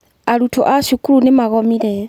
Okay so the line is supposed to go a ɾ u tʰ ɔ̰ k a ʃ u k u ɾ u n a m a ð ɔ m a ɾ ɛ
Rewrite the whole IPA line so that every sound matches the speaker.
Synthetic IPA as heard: a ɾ u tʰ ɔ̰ ʔ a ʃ u k u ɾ u n e m a ɣ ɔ m i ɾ ɛ

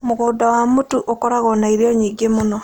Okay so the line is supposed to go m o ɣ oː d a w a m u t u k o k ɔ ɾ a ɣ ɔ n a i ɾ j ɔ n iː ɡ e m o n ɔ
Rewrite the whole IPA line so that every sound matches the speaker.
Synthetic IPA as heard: m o ɣ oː d a w a m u t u ʔ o k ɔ ɾ a ɣ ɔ n a i ɾ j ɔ ɲ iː ɡ e m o n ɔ

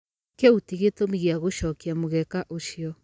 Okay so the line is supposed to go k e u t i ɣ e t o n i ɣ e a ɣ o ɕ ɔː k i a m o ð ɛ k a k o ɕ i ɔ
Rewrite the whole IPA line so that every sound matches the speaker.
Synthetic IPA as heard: k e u t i ɣ e t o m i ɣ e a ɣ o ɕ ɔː k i a m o ɣ ɛ k a ʔ o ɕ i ɔ

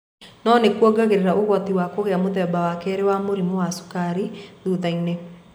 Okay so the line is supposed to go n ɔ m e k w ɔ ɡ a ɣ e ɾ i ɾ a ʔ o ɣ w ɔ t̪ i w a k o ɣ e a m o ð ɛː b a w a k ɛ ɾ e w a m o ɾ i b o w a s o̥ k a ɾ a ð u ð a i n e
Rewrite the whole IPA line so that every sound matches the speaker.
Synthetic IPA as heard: n ɔ n e k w ɔ ɡ a ɣ e ɾ e ɾ a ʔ o ɣ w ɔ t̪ i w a k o ɣ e a m o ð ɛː b a w a k ɛ ɾ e w a m o ɾ i m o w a s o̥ k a ɾ i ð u ð a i n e

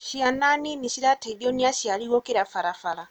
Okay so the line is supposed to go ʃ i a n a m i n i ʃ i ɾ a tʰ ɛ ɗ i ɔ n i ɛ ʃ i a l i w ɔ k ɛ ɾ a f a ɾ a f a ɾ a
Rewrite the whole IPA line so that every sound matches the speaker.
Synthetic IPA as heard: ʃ i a n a n i n i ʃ i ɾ a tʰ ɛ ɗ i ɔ n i a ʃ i a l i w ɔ k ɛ ɾ a f a ɾ a f a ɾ a

